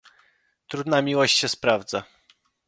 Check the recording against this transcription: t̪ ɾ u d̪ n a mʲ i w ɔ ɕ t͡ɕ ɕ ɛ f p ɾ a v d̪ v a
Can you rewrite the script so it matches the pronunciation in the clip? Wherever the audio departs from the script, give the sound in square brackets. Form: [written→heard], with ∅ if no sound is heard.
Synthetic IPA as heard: t̪ ɾ u d̪ n a mʲ i w ɔ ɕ t͡ɕ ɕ ɛ [f→s] p ɾ a v d̪ [v→z] a